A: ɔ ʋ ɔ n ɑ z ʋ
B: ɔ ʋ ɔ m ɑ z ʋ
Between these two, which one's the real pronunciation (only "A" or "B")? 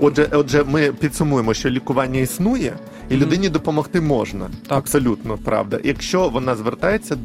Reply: A